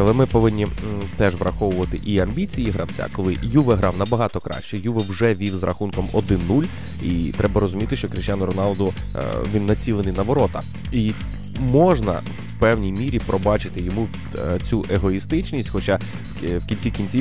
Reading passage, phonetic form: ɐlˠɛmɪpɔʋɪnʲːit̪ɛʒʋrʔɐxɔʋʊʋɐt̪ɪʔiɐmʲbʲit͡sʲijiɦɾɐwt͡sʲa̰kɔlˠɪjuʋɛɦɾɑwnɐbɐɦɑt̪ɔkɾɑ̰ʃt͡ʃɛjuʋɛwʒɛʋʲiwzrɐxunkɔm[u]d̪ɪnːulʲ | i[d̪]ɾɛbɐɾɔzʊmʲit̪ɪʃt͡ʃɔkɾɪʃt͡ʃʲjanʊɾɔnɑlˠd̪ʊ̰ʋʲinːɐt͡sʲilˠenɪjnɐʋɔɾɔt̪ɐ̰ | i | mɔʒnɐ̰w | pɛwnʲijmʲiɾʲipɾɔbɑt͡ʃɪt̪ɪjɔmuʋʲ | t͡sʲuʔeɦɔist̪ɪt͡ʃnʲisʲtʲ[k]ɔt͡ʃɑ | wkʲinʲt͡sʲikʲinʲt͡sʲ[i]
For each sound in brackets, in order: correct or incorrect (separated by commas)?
incorrect, incorrect, incorrect, correct